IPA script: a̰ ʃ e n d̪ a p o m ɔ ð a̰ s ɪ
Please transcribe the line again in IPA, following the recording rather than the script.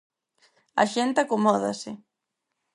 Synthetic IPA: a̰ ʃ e n t̪ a k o m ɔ ð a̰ s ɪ